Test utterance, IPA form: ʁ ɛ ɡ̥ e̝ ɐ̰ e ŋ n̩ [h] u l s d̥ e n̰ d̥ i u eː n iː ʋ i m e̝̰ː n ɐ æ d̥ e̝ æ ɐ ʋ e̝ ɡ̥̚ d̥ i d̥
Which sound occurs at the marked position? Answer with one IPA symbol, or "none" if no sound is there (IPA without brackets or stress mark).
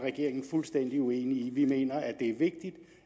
f